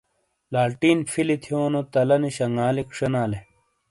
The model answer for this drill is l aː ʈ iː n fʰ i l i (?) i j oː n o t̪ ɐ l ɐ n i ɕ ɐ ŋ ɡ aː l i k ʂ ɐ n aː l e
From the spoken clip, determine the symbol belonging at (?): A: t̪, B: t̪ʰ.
B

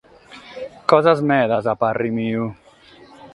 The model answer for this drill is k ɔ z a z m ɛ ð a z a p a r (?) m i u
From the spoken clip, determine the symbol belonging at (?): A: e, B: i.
B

